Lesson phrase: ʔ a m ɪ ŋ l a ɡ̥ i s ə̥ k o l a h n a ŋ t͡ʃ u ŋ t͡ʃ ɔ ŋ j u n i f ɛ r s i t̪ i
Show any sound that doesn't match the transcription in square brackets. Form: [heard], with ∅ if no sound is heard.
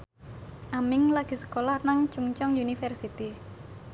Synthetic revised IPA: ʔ a m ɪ ŋ l a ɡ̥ i s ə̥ k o l a h n a ŋ t͡ʃ u ŋ t͡ʃ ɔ ŋ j u n i f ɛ r s i t̪ i